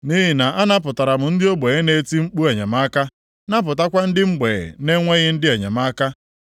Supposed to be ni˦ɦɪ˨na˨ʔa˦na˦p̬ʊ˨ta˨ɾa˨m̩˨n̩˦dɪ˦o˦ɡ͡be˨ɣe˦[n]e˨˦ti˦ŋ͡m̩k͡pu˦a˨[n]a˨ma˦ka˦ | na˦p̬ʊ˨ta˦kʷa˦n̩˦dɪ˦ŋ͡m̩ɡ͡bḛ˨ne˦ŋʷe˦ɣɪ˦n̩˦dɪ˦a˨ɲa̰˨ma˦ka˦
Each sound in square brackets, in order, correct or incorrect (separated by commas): correct, incorrect